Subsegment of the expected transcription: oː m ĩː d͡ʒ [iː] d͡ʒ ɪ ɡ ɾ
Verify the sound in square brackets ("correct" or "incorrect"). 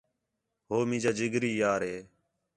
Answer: incorrect